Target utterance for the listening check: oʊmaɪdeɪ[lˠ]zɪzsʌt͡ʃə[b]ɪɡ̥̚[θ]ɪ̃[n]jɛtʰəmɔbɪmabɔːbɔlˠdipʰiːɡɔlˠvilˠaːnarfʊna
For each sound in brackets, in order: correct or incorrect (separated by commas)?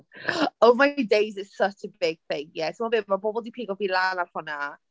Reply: incorrect, correct, correct, incorrect